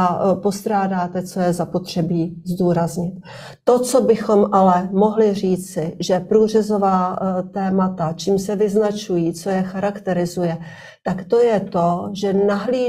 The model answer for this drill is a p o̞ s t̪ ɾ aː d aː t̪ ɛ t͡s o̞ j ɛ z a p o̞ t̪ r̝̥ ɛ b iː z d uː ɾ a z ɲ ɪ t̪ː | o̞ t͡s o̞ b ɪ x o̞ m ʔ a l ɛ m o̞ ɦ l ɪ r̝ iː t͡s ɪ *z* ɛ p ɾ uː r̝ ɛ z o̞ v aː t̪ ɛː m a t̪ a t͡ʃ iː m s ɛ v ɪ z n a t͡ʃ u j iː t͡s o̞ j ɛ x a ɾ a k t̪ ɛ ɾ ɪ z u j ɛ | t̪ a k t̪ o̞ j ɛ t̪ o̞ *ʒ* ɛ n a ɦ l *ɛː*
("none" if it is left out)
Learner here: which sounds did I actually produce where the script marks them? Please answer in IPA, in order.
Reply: ʒ, ʒ, iː

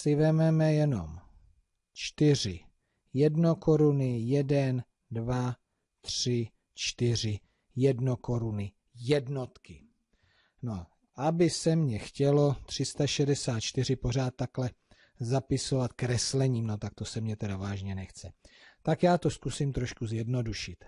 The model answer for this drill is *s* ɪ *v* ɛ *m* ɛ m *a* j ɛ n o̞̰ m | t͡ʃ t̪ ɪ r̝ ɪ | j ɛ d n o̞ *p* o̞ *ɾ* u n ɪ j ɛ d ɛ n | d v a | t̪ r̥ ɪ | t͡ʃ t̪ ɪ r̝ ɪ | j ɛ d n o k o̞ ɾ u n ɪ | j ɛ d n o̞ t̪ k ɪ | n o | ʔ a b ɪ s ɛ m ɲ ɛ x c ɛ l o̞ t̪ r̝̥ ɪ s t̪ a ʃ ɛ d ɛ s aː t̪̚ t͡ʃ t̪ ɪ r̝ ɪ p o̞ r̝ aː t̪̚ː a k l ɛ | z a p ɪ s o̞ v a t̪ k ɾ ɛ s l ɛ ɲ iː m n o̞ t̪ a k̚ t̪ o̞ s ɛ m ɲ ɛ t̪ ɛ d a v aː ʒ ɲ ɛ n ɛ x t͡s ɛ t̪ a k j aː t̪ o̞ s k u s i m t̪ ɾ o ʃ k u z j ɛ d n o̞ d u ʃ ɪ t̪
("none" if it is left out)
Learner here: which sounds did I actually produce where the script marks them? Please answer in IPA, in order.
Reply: s, v, m, ɛ, k, ɾ

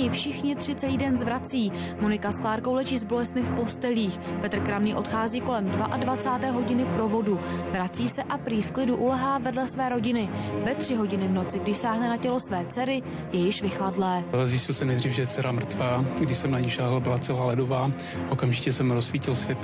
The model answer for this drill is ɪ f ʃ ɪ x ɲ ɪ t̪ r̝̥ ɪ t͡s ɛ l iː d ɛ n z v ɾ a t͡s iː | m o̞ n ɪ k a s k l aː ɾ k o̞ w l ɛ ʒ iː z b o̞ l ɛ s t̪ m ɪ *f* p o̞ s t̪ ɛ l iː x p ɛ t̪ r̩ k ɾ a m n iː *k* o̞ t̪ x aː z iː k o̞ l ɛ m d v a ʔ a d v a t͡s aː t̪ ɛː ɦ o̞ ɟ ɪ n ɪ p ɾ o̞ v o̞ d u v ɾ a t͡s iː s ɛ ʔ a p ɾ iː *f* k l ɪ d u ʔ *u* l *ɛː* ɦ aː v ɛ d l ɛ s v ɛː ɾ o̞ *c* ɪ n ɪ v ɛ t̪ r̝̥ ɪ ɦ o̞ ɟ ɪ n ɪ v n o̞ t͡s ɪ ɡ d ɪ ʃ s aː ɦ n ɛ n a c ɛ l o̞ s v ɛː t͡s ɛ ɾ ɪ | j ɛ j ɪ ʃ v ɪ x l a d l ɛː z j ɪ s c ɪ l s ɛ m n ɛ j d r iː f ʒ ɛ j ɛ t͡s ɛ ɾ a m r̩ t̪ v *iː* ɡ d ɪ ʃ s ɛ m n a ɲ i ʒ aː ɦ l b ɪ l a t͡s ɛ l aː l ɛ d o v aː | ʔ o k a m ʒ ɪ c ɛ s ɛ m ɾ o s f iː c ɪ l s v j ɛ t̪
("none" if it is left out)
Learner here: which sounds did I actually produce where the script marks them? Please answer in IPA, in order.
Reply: f, ʔ, f, u, ɛ, ɟ, aː

